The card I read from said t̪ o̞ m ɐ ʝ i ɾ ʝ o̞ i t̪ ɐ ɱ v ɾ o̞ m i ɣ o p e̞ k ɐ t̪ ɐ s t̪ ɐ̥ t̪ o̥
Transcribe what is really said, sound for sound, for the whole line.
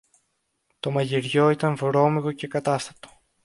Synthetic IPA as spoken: t̪ o̞ m ɐ ʝ i ɾ ʝ o̞ i t̪ ɐ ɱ v ɾ o̞ m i ɣ o c e̞ k ɐ t̪ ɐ s t̪ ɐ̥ t̪ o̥